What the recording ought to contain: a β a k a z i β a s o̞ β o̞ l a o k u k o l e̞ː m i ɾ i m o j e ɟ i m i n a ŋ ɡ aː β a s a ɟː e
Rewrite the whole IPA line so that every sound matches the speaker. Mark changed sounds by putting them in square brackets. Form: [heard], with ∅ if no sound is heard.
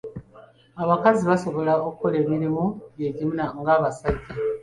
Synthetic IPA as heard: a β a k a z i β a s o̞ β o̞ l a o k u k o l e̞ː m i ɾ i m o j e ɟ i m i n a ŋ ɡ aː β a s a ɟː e